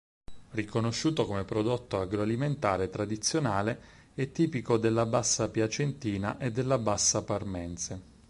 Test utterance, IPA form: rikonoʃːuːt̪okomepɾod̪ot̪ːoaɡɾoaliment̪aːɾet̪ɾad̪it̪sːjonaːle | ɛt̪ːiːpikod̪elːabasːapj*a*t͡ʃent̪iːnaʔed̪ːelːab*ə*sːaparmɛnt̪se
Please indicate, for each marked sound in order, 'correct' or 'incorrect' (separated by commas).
correct, incorrect